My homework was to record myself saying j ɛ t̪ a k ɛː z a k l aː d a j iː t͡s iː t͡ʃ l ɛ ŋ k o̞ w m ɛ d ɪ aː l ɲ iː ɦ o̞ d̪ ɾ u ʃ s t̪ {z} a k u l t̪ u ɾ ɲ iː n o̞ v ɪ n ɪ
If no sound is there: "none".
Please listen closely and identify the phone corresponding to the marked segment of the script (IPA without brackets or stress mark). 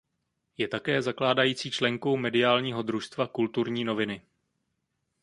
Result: v